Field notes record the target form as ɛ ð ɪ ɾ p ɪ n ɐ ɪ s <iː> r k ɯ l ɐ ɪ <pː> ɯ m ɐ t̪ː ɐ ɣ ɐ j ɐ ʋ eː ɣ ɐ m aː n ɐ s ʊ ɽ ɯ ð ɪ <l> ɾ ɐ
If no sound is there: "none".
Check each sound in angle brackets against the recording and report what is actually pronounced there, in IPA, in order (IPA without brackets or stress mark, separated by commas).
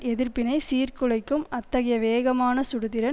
iː, kː, none